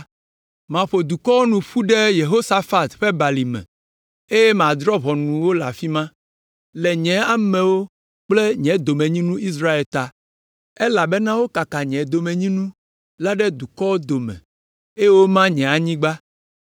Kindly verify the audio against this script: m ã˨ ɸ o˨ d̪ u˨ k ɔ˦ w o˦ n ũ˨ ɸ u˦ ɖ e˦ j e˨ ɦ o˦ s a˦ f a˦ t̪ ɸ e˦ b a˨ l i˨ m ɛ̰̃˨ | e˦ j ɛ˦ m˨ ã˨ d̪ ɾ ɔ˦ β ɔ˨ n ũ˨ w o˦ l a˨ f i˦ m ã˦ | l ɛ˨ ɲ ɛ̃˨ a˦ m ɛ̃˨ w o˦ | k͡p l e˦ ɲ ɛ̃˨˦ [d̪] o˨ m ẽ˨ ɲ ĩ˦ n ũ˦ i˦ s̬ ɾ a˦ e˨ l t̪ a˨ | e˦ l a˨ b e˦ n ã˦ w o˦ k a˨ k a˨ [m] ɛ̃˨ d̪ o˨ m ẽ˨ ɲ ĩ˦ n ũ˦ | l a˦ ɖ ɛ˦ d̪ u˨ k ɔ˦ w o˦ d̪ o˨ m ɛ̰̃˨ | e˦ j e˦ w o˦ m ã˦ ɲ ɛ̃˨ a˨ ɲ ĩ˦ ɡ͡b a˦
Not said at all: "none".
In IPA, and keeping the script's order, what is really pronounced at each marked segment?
d̪, ɲ

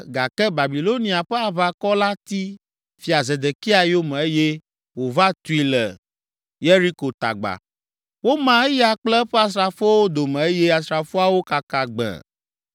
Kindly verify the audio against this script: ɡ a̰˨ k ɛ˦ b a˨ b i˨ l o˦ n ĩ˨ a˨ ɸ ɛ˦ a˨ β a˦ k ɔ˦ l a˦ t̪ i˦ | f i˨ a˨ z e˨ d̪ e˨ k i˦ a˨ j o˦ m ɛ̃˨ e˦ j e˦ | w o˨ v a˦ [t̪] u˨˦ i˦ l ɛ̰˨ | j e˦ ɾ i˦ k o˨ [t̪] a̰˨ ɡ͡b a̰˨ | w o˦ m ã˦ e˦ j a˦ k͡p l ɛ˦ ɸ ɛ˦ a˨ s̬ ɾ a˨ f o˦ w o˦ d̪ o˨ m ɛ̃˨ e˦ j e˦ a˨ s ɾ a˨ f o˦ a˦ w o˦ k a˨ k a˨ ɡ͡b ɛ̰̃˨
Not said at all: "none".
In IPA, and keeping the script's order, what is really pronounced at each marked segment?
t̪, t̪

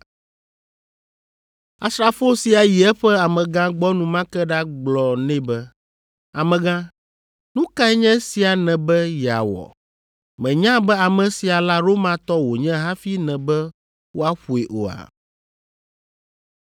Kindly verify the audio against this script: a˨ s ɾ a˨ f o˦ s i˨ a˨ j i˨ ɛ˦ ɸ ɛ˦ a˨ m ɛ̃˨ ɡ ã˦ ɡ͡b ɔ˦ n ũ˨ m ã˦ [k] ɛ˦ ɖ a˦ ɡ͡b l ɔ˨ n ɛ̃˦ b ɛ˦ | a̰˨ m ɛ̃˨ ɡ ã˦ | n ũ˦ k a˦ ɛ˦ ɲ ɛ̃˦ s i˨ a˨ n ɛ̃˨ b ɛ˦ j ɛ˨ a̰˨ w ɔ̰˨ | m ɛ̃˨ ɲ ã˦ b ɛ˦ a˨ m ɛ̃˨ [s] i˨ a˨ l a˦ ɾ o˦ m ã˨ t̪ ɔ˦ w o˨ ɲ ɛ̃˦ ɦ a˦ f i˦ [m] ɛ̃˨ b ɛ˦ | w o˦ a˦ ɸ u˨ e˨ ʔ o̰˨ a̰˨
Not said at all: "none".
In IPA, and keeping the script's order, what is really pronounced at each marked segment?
k, s, n

